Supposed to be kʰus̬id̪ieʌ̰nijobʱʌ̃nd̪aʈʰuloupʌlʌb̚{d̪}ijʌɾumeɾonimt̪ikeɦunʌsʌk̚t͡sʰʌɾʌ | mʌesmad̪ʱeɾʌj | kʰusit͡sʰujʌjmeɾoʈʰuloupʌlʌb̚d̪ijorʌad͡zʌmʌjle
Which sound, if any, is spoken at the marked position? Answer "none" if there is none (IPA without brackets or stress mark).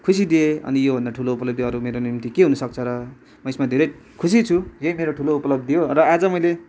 d̪